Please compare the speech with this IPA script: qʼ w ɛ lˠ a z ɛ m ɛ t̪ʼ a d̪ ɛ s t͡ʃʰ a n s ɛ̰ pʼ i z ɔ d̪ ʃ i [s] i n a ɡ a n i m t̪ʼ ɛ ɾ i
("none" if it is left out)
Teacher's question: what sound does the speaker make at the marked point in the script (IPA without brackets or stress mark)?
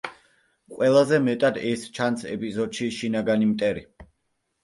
ʃ